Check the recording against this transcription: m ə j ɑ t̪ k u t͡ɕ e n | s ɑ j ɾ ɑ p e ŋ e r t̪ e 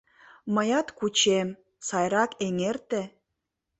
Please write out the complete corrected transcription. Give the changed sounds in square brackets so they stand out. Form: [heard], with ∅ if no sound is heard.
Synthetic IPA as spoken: m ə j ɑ t̪ k u t͡ɕ e [m] | s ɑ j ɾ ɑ [k] e ŋ e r t̪ e